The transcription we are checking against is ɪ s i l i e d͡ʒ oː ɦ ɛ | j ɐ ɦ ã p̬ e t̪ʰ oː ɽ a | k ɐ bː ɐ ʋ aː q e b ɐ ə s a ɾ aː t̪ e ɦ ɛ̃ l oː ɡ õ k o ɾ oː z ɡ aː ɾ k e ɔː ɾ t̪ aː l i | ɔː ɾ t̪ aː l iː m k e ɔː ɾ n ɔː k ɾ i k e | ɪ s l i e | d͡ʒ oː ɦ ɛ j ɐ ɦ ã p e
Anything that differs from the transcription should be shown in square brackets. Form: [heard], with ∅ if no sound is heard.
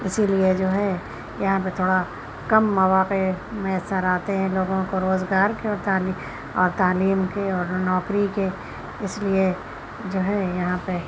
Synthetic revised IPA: ɪ s i l i e d͡ʒ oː ɦ ɛ | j ɐ ɦ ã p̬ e t̪ʰ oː ɽ a | k ɐ [mː] ɐ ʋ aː q e [m] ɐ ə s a ɾ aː t̪ e ɦ ɛ̃ l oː ɡ õ k o ɾ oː z ɡ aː ɾ k e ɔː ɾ t̪ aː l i | ɔː ɾ t̪ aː l iː m k e ɔː ɾ n ɔː k ɾ i k e | ɪ s l i e | d͡ʒ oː ɦ ɛ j ɐ ɦ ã p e